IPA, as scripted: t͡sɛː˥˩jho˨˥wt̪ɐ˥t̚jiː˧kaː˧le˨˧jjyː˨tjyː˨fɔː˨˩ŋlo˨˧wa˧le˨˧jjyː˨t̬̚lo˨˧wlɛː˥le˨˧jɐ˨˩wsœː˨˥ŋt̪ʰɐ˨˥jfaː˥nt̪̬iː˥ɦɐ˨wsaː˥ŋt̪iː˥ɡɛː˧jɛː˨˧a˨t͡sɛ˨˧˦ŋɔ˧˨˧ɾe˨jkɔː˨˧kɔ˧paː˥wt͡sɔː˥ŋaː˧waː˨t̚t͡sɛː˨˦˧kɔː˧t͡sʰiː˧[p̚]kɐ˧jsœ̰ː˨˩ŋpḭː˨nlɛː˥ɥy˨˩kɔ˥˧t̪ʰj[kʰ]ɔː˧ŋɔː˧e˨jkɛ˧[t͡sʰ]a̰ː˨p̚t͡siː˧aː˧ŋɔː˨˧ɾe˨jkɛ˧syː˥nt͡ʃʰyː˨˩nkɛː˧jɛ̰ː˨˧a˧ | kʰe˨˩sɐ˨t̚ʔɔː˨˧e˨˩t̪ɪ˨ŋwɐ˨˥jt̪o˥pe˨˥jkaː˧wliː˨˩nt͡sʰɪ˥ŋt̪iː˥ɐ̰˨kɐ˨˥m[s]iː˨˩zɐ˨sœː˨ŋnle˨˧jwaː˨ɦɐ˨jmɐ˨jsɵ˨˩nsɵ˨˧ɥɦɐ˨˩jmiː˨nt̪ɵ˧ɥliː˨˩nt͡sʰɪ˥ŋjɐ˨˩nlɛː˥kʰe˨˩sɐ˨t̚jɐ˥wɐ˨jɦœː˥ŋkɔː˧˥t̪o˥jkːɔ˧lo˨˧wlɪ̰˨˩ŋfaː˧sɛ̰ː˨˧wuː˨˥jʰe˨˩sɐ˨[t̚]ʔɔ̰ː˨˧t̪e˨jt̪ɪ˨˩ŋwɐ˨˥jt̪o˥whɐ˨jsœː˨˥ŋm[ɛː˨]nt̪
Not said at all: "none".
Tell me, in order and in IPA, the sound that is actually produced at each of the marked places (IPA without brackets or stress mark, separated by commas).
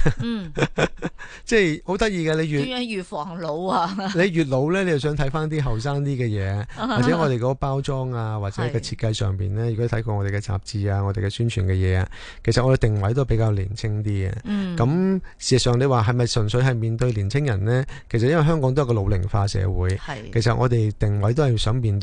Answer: t̚, k, t͡s, s, t̚, iː˨